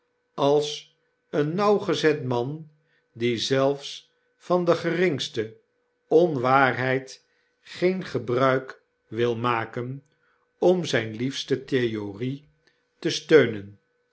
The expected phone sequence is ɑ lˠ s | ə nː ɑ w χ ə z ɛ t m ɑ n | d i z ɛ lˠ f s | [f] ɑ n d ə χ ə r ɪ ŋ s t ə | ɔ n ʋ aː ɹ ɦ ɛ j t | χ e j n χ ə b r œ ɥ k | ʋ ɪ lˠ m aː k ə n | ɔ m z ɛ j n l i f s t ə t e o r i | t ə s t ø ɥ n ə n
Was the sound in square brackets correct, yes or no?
yes